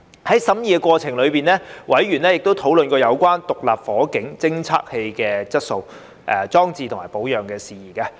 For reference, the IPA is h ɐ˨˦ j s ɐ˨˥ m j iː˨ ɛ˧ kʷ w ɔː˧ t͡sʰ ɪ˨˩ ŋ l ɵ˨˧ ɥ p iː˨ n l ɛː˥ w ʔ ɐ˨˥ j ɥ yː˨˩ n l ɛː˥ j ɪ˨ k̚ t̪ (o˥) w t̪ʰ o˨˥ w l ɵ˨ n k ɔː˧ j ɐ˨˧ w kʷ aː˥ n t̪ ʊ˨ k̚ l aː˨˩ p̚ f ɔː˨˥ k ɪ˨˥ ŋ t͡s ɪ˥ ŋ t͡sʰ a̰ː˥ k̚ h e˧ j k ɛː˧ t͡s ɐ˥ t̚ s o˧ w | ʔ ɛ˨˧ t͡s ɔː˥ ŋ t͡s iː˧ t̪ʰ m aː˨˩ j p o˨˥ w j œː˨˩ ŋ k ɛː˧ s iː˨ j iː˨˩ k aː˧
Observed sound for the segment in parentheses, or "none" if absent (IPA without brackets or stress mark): o˥